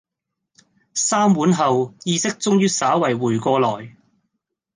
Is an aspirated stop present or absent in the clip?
absent